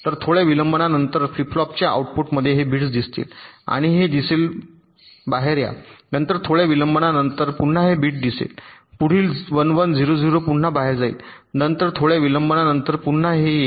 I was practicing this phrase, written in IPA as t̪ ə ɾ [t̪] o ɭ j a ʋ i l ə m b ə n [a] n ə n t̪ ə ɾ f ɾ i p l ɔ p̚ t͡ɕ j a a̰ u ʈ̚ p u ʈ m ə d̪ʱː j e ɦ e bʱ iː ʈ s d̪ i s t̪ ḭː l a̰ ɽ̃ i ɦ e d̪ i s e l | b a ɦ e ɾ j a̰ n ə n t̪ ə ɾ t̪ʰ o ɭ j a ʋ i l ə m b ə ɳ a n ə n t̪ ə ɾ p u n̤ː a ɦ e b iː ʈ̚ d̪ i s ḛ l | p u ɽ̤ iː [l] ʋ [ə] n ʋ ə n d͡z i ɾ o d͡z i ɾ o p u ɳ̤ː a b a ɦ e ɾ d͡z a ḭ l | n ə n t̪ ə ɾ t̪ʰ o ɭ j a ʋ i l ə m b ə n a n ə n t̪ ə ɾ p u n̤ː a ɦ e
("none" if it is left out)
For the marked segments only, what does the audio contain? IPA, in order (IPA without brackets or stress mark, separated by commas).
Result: t̪ʰ, a, l, ə